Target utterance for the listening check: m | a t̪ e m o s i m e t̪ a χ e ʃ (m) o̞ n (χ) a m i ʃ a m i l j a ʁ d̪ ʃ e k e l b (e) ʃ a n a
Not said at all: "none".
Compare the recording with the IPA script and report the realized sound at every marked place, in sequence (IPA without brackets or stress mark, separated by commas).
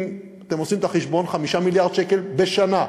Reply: b, χ, e